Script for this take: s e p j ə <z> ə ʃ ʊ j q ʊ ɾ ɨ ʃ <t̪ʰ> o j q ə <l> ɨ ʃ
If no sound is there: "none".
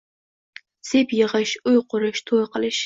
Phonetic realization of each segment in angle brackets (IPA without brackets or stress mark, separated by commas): ʁ, t̪ʰ, l